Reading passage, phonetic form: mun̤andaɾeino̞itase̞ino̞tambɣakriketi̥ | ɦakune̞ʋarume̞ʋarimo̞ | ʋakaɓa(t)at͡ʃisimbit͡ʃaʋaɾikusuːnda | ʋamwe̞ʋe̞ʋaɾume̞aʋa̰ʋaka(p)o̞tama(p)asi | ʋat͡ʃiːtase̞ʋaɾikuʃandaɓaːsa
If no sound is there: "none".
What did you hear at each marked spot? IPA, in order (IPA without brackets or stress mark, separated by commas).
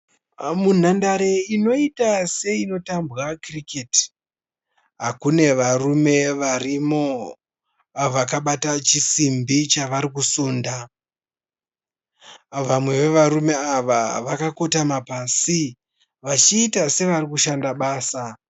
t, k, p